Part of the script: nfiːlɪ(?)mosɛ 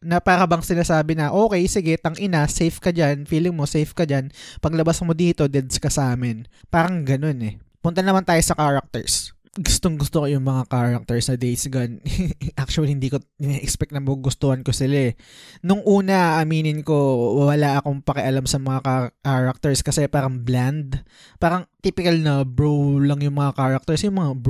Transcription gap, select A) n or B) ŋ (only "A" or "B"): B